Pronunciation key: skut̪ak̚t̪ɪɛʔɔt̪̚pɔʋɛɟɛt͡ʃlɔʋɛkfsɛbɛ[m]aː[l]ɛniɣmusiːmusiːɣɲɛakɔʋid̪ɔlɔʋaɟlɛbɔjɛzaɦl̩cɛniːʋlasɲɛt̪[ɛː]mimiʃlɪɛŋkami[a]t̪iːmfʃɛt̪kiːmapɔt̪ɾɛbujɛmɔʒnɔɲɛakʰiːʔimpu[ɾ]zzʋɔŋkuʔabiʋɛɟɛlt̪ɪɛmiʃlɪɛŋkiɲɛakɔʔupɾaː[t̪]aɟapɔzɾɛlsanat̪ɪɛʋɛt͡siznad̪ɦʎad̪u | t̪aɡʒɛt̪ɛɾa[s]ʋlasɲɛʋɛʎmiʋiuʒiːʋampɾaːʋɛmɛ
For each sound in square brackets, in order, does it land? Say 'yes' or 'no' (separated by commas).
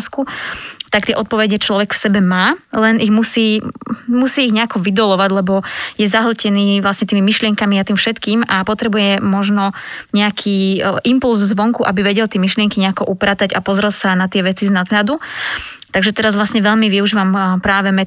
yes, yes, no, yes, no, yes, no